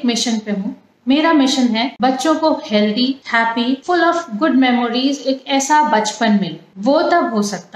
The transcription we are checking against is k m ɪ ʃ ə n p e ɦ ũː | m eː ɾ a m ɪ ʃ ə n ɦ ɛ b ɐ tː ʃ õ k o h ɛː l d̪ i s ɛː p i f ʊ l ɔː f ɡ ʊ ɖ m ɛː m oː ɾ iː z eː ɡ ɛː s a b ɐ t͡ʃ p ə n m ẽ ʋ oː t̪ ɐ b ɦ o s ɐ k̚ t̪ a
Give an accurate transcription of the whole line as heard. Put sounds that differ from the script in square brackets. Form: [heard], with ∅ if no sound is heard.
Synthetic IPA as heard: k m ɪ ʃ ə n p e ɦ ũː | m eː ɾ a m ɪ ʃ ə n ɦ ɛ b ɐ tː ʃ õ k o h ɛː l d̪ i [h] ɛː p i f ʊ l ɔː f ɡ ʊ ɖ m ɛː m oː ɾ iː z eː [k] ɛː s a b ɐ t͡ʃ p ə n m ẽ ʋ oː t̪ ɐ b ɦ o s ɐ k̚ t̪ a